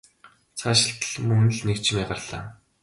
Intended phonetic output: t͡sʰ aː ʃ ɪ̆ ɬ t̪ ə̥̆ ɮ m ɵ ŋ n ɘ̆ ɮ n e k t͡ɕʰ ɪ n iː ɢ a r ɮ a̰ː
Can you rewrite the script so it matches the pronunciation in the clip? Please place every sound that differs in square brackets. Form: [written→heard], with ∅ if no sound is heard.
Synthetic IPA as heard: t͡sʰ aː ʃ ɪ̆ ɬ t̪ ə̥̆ ɮ m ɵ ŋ n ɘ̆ ɮ n e k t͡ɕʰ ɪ [n→m] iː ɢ a r ɮ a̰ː